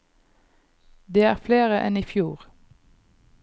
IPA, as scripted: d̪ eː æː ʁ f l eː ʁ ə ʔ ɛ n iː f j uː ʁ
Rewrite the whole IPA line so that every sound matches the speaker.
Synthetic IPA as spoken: d̪ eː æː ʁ f l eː ʁ ə ʔ ɛ n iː f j uː ʁ